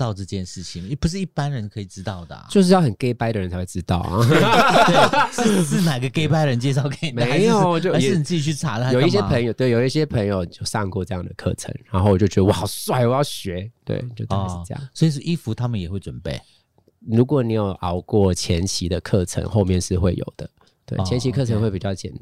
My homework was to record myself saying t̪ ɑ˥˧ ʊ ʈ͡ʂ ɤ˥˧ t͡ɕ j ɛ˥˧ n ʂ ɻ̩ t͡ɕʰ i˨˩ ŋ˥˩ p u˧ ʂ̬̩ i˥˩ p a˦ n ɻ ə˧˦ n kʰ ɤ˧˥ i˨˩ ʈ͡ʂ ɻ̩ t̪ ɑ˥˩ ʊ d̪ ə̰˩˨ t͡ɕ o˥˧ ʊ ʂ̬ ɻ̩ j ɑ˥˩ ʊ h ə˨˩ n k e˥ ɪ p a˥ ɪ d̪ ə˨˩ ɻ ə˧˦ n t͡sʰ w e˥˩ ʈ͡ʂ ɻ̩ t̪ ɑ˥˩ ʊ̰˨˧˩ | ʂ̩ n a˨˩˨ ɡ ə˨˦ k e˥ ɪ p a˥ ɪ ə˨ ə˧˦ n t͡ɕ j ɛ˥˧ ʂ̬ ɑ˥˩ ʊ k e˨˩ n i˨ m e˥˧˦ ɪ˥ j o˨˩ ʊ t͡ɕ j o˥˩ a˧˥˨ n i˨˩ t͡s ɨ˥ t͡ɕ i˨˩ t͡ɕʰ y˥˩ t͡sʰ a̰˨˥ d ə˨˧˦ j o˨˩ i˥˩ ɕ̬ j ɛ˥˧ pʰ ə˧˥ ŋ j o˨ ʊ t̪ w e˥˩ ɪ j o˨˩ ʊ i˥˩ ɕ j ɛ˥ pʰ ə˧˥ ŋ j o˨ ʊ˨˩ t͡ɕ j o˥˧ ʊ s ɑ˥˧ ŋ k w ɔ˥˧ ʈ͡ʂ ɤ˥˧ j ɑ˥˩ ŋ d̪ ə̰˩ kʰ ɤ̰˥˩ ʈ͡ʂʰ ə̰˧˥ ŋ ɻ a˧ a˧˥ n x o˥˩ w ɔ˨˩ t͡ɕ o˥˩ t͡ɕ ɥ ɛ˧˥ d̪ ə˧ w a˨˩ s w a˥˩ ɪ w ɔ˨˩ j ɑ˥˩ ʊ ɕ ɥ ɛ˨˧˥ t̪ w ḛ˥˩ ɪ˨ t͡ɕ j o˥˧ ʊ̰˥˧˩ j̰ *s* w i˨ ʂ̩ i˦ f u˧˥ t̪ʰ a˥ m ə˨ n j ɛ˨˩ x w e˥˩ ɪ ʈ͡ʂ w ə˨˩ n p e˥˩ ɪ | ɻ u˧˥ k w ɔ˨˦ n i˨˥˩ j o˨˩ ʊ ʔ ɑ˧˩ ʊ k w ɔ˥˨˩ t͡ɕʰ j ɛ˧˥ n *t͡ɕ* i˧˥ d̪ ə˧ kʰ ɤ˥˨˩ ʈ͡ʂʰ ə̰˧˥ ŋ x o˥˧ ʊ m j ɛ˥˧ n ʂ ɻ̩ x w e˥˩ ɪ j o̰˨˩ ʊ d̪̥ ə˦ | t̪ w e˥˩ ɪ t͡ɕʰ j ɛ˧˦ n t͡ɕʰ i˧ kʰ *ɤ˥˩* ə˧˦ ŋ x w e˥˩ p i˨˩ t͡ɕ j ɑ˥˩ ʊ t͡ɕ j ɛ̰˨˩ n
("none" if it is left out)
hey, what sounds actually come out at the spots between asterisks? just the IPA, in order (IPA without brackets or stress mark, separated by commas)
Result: s, t͡ɕʰ, ɤ˥˩